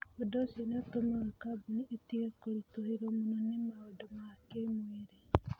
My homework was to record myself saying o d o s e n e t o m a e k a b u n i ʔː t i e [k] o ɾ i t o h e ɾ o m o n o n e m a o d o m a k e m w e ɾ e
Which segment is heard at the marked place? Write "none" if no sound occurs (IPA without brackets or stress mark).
k